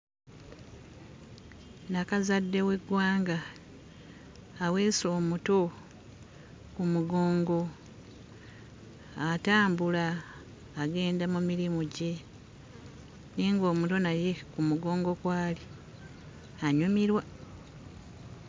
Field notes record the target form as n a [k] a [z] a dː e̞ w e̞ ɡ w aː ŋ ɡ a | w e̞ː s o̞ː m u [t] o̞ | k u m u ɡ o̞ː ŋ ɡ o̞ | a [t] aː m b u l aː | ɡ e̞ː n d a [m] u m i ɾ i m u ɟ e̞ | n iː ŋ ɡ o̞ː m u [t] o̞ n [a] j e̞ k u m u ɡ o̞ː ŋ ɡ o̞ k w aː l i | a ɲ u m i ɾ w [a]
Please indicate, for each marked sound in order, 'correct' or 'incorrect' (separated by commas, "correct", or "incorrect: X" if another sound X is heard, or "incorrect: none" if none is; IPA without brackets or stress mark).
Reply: correct, correct, correct, correct, correct, correct, correct, correct